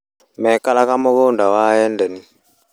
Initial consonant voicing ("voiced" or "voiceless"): voiced